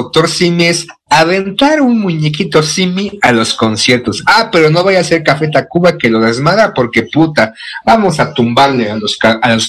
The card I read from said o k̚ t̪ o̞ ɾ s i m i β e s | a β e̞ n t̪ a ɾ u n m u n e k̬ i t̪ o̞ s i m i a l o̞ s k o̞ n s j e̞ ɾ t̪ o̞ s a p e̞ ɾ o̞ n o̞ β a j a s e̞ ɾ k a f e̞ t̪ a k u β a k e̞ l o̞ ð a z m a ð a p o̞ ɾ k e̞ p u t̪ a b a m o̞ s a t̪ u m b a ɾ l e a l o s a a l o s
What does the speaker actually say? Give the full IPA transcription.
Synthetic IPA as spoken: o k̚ t̪ o̞ ɾ s i m i e s | a β e̞ n t̪ a ɾ u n m u ɲ e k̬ i t̪ o̞ s i m i a l o̞ s k o̞ n s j e̞ ɾ t̪ o̞ s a p e̞ ɾ o̞ n o̞ β a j a s e̞ ɾ k a f e̞ t̪ a k u β a k e̞ l o̞ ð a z m a ð a p o̞ ɾ k e̞ p u t̪ a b a m o̞ s a t̪ u m b a ɾ l e a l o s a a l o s